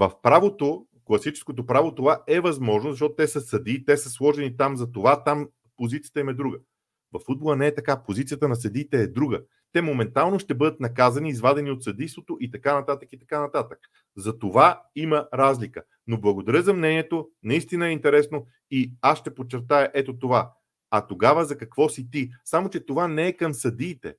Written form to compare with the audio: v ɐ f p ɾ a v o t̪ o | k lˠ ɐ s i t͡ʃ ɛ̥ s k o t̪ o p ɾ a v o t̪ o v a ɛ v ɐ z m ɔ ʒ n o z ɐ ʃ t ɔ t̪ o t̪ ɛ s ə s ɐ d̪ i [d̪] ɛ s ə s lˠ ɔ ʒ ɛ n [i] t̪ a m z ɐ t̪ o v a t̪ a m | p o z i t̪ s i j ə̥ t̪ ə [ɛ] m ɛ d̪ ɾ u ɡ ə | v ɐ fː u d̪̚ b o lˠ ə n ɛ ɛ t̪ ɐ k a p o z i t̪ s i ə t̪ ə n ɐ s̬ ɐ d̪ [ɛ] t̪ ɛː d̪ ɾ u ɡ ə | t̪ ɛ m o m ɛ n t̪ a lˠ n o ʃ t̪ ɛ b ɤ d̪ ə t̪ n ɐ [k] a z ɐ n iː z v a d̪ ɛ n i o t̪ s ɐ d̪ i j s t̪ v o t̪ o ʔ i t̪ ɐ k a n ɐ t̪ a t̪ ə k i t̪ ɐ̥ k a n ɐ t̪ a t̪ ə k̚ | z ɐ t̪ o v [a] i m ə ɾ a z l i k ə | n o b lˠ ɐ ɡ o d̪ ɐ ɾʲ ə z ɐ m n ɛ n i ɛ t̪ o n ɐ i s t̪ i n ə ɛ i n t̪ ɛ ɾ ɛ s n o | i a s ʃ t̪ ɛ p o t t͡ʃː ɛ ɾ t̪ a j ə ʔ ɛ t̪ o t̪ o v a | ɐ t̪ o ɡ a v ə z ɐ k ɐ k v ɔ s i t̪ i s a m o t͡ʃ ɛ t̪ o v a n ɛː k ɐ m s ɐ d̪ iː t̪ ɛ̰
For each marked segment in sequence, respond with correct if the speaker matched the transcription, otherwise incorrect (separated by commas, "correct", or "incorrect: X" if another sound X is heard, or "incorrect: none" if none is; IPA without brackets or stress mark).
incorrect: t̪, correct, incorrect: i, incorrect: i, correct, correct